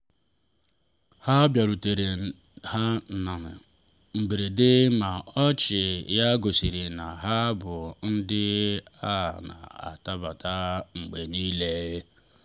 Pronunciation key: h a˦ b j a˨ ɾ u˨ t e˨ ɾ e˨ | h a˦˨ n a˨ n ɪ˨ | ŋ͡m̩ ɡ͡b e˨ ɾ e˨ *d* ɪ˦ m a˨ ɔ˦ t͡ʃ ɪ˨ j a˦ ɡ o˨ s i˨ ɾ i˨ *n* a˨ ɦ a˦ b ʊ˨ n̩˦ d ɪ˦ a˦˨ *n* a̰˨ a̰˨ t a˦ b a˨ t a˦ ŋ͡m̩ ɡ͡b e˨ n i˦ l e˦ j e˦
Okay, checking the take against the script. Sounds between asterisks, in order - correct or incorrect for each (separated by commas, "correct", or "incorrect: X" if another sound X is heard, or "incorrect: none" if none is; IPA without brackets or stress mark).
correct, correct, correct